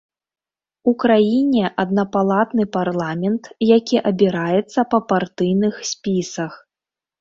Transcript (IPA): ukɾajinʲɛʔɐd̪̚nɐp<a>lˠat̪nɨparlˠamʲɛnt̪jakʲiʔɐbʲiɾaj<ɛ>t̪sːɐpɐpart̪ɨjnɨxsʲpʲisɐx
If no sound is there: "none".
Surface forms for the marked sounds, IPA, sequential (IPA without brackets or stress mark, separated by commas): a, ɛ